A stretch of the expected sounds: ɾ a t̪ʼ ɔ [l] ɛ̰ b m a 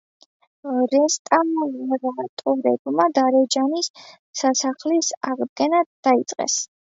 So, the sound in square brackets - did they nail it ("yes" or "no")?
no